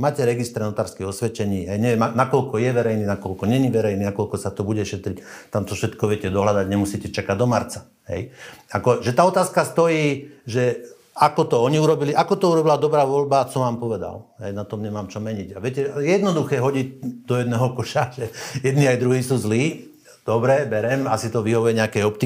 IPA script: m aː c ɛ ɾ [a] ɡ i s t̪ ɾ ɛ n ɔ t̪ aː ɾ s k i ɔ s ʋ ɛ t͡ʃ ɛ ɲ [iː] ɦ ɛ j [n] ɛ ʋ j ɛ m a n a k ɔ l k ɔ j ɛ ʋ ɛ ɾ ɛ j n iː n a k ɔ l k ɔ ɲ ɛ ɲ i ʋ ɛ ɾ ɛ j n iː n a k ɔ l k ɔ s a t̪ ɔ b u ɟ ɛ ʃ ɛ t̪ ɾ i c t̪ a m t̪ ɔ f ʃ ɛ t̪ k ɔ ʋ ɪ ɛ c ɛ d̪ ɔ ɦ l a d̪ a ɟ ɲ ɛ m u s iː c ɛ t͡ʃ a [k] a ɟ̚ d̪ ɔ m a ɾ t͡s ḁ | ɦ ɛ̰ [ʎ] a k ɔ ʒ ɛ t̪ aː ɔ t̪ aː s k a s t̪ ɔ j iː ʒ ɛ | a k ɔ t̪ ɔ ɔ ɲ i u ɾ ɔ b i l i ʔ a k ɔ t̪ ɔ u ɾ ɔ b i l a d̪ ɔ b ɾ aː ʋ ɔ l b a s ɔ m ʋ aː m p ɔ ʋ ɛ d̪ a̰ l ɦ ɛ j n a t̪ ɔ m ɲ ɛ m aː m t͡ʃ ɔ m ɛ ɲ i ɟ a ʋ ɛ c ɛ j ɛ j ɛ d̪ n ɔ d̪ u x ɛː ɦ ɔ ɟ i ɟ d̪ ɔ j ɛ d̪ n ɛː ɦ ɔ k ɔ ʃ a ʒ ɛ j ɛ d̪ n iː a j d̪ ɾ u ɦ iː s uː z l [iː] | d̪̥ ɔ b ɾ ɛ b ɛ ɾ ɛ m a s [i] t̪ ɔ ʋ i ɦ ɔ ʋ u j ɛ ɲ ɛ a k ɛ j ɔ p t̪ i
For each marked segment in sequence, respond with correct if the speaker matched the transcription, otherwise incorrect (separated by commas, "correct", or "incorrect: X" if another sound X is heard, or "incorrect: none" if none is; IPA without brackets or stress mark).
incorrect: ɛ, correct, incorrect: ɲ, correct, incorrect: j, correct, correct